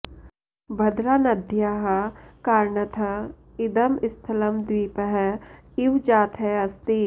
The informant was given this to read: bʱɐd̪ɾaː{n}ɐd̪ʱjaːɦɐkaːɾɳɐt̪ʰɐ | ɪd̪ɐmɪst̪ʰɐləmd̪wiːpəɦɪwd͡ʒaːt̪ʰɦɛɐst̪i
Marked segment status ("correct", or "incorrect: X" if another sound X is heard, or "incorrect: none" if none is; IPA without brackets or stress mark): correct